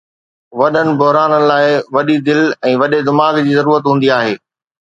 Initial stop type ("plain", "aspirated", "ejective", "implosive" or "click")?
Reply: implosive